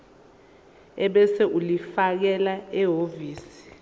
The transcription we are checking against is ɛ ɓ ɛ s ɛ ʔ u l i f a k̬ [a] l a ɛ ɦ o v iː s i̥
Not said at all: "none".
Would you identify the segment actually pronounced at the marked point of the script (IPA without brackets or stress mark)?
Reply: ɛ